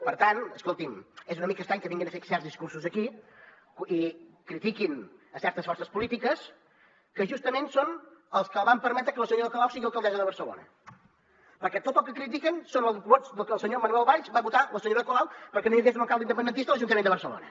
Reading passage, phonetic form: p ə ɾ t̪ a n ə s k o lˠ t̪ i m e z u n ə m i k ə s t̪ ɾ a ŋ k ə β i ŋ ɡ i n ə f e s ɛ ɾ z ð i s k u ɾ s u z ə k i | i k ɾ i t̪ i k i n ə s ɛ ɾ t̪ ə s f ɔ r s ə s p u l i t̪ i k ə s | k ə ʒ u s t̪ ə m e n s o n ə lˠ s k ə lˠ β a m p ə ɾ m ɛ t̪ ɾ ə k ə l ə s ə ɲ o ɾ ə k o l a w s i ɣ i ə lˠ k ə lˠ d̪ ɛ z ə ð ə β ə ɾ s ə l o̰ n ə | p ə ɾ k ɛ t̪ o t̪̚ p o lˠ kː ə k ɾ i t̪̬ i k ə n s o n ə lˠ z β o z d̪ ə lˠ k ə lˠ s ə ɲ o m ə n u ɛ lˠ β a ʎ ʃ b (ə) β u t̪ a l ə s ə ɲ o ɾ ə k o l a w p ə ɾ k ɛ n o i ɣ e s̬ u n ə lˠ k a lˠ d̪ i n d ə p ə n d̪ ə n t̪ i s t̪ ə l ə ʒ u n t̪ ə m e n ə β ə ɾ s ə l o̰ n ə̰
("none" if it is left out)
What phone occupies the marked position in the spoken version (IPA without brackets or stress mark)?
a